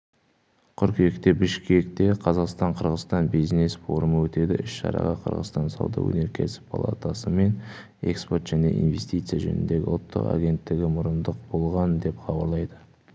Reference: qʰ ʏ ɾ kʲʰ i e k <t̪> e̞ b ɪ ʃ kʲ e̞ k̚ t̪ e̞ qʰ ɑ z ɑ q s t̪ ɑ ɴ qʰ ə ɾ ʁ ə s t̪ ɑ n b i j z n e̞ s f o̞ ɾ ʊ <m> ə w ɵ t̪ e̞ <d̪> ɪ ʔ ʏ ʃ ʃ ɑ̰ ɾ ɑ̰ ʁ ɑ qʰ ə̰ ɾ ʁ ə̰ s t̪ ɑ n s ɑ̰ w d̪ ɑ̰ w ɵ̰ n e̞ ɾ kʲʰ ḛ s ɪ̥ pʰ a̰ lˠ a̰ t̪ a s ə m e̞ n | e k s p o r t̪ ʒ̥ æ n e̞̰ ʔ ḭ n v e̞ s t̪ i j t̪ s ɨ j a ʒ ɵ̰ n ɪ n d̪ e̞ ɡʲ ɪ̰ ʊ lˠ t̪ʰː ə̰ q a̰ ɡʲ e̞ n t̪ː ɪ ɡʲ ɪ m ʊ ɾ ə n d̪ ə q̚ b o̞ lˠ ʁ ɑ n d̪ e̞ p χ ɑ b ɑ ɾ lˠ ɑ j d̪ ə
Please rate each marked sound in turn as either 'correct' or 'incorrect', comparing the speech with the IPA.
correct, correct, correct

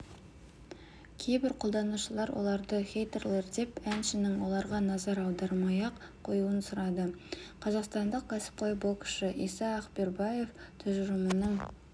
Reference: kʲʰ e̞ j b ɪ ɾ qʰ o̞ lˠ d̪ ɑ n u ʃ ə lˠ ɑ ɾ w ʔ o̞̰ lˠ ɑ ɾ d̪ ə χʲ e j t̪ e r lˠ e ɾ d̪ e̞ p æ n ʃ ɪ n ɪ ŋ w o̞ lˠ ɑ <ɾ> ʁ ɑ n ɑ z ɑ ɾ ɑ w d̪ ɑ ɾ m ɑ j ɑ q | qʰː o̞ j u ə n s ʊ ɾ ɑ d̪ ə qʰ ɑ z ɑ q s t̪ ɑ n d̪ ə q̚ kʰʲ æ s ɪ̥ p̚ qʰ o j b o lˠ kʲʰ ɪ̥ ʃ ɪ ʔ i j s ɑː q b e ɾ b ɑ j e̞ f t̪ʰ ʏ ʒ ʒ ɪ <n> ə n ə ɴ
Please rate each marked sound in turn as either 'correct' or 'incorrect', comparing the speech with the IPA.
correct, incorrect: m

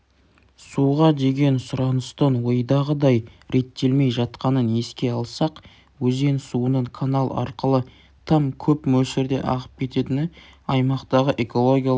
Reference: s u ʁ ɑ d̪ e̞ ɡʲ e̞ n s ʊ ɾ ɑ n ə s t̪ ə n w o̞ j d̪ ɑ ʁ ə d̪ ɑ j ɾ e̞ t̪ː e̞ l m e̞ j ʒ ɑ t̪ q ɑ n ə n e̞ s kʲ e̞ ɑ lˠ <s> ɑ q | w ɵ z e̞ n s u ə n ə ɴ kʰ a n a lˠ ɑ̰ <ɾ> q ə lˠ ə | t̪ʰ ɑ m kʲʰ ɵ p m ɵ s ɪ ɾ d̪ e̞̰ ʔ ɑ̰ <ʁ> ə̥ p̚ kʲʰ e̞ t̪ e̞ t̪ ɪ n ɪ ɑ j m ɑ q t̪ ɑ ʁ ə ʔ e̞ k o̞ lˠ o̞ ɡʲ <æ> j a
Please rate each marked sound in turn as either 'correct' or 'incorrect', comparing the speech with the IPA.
correct, correct, correct, incorrect: i

